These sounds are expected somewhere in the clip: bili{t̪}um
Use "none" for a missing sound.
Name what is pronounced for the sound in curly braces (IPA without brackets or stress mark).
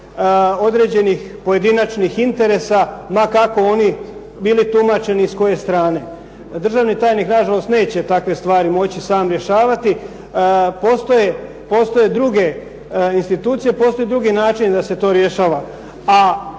t̪